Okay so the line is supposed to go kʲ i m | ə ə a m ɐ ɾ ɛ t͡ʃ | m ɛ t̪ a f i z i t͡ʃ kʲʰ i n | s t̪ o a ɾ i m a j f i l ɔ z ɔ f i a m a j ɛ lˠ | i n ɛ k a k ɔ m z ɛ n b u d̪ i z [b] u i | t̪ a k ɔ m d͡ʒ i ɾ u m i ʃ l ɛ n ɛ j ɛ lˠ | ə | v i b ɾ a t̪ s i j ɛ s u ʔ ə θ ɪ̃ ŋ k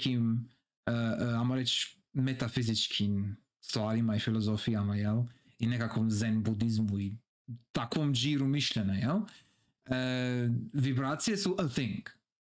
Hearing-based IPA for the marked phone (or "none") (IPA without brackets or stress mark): m